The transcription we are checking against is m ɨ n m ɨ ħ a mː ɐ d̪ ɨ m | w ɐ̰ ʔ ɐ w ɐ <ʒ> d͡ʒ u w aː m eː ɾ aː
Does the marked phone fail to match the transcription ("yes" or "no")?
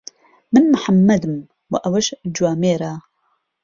yes